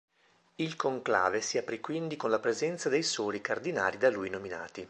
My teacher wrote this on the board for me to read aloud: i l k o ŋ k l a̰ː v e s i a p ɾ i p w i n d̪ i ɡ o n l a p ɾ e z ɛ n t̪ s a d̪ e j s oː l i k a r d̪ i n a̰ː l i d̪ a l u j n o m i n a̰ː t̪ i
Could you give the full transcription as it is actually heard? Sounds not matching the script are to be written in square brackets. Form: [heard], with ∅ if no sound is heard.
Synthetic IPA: i l k o ŋ k l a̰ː v e s i a p ɾ i [k] w i n d̪ i [k] o n l a p ɾ e z ɛ n t̪ s a d̪ e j s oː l i k a r d̪ i n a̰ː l i d̪ a l u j n o m i n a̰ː t̪ i

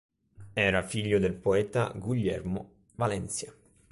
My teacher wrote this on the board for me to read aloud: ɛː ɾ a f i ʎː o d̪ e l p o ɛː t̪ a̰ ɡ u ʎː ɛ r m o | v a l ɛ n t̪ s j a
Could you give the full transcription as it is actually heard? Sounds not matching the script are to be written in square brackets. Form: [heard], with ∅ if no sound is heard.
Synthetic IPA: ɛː ɾ a f i ʎː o d̪ e l p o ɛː t̪ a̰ ɡ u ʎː ɛ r m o | v a l ɛ n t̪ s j a

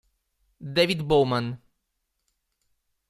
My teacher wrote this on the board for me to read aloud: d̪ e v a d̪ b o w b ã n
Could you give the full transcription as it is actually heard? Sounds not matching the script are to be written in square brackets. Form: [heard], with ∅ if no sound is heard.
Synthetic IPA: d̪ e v [i] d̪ b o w [m] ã n

